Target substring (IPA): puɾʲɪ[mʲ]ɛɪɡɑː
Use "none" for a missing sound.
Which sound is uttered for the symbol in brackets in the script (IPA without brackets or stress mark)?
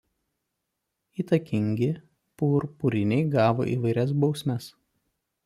nʲ